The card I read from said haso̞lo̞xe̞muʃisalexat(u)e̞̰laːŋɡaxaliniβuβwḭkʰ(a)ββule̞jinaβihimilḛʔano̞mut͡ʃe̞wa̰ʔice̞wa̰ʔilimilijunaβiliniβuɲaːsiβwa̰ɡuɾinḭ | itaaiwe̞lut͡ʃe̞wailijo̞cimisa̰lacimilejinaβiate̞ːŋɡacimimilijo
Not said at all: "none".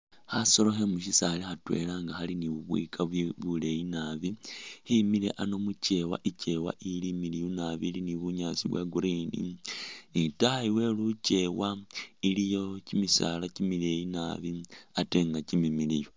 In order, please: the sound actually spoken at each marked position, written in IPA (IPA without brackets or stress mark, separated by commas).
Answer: w, a